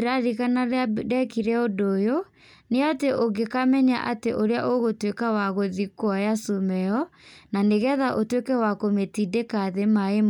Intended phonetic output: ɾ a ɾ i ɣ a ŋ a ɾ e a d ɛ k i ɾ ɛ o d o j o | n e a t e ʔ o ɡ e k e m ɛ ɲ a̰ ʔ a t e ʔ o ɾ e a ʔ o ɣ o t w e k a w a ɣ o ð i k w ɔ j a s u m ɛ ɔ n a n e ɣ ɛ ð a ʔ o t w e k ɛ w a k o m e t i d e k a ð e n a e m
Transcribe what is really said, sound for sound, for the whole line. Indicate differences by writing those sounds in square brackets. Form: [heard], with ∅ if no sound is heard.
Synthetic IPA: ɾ a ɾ i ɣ a [n] a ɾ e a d ɛ k i ɾ ɛ o d o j o | n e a t e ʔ o ɡ e k [a] m ɛ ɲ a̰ ʔ a t e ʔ o ɾ e a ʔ o ɣ o t w e k a w a ɣ o ð i k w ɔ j a s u m ɛ ɔ n a n e ɣ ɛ ð a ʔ o t w e k ɛ w a k o m e t i d e k a ð e [m] a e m